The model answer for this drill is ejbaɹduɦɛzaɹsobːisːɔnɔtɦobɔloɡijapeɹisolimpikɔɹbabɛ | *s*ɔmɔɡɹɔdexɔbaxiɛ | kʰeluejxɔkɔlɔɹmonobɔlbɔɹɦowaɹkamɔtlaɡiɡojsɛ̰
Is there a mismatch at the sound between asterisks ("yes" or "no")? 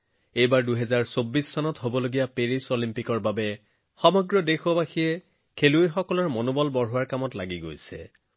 yes